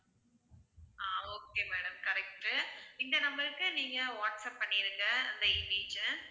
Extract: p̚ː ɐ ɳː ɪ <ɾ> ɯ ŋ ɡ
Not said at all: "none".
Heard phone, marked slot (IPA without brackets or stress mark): ɾ